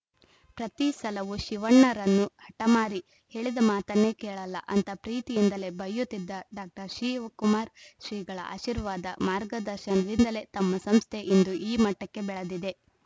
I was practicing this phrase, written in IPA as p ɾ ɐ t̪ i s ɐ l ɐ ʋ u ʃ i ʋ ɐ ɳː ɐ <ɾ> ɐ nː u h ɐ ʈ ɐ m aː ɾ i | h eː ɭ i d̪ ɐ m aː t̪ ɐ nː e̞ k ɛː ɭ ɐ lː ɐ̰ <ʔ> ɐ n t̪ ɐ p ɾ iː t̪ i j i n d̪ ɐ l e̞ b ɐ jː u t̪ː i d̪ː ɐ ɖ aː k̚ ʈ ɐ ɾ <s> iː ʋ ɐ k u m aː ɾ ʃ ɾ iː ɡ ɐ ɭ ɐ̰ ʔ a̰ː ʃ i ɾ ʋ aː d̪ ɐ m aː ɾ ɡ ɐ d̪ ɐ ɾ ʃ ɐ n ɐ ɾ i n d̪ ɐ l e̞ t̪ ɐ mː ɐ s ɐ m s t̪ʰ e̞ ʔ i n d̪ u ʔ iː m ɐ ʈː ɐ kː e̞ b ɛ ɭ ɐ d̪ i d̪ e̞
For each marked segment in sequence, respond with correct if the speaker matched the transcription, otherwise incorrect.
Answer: correct, correct, incorrect: ʃ

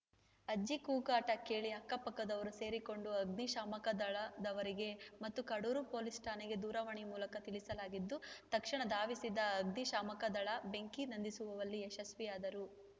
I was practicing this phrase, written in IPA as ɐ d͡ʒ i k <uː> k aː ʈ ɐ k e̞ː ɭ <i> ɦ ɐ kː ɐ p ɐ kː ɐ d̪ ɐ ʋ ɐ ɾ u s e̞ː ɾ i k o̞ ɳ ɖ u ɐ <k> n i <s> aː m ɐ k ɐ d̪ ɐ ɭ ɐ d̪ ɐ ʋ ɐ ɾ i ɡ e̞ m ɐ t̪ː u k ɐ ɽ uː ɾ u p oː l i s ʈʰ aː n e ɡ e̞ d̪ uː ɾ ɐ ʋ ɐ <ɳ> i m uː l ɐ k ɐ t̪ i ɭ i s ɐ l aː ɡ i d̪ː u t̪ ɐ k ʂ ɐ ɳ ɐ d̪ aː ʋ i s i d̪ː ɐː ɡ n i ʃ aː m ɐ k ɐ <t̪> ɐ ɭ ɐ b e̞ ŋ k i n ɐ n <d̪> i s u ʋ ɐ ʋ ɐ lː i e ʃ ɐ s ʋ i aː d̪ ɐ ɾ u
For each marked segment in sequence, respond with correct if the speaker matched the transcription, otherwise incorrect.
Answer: correct, correct, incorrect: ɡ, incorrect: ʃ, correct, incorrect: d̪, correct

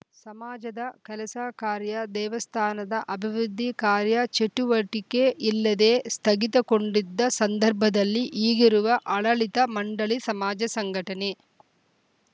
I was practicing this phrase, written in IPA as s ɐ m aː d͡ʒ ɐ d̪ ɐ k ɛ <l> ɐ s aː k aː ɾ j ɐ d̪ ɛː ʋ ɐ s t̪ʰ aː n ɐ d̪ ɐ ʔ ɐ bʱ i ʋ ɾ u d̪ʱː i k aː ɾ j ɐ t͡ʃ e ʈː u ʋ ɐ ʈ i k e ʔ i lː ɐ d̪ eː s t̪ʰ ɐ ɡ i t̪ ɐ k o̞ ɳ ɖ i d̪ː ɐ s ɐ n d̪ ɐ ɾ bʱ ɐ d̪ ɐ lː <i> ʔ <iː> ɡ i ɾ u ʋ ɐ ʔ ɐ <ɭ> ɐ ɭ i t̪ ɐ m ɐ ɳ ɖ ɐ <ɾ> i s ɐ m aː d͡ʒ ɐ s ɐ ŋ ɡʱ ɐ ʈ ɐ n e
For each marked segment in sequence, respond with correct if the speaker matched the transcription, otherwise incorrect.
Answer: correct, correct, correct, correct, incorrect: ɭ

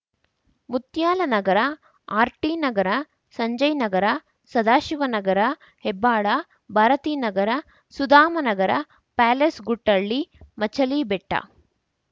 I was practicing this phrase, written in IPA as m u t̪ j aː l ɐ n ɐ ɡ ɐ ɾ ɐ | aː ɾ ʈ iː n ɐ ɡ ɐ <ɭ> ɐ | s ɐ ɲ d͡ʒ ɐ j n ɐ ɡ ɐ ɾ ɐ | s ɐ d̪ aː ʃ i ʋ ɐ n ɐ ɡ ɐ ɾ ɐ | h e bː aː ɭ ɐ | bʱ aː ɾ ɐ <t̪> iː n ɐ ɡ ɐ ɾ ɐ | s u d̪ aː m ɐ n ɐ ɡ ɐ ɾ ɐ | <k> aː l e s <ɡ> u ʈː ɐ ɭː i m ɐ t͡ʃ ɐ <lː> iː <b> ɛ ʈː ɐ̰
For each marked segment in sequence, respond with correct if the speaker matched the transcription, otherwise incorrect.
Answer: incorrect: ɾ, correct, incorrect: p, correct, incorrect: l, correct

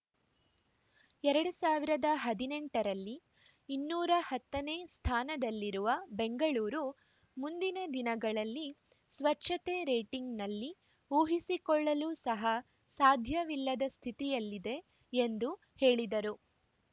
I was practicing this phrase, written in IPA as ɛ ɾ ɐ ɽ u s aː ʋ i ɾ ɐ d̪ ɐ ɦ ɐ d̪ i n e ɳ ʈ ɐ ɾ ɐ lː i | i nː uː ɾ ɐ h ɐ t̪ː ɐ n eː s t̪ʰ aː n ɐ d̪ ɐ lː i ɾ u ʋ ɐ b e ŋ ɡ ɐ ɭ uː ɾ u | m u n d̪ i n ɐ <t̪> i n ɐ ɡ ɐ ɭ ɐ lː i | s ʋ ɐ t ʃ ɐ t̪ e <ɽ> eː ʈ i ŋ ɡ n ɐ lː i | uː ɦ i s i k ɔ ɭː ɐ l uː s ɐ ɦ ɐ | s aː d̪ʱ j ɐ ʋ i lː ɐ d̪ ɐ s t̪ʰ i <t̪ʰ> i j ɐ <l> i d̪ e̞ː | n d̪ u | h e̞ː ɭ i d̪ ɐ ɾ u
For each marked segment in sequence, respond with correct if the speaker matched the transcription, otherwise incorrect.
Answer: incorrect: d̪, incorrect: ɾ, incorrect: t̪, incorrect: lː

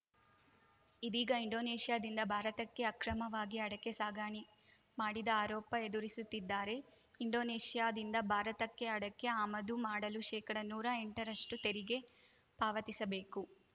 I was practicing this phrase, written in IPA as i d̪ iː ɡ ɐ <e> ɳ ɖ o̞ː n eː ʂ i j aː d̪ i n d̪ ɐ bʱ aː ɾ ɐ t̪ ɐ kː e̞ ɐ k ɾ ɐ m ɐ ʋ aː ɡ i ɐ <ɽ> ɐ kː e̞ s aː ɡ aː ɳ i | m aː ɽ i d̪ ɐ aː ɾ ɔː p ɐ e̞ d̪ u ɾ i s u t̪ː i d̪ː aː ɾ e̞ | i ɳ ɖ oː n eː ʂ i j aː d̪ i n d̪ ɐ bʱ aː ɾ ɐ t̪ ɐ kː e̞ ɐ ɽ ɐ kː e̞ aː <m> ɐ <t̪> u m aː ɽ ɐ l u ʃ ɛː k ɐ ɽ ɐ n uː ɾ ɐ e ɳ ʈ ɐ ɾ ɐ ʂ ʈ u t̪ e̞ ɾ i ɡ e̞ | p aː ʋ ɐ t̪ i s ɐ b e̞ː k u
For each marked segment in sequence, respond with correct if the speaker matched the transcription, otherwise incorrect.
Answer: incorrect: i, correct, correct, incorrect: d̪

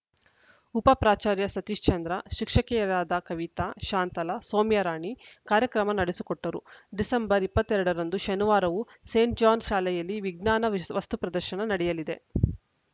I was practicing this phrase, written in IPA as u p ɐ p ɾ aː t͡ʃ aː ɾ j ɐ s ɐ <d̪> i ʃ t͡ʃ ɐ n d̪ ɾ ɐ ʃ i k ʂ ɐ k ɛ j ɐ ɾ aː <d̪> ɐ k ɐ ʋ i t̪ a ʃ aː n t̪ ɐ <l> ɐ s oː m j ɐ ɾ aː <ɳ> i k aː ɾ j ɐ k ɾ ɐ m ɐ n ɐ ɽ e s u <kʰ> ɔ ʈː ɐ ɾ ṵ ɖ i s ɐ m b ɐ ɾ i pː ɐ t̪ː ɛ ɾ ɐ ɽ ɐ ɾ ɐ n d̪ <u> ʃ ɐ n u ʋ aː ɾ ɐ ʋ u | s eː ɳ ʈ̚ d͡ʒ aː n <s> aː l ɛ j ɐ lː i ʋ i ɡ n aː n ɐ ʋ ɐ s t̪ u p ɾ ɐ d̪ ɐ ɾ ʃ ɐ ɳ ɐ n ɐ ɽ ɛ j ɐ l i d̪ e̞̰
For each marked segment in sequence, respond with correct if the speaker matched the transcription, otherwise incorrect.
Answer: incorrect: t̪, correct, correct, correct, incorrect: k, correct, incorrect: ʃ

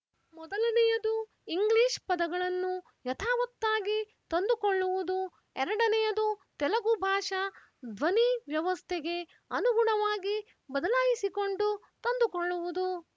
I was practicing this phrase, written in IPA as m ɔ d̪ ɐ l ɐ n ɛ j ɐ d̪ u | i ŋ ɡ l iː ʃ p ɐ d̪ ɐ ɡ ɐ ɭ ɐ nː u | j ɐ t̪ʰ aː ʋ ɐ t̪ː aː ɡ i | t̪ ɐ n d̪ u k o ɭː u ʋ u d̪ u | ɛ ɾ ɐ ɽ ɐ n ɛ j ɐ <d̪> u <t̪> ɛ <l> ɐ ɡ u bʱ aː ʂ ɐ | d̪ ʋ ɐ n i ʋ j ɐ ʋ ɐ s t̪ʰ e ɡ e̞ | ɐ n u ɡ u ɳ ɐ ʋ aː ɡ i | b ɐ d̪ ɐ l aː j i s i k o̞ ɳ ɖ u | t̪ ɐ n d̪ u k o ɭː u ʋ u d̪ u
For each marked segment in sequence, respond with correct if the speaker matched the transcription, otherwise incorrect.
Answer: correct, correct, correct

